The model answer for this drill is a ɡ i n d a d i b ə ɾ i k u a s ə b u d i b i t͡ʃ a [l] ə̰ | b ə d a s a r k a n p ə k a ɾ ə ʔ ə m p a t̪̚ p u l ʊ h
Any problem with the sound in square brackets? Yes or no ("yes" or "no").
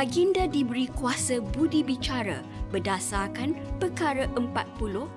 yes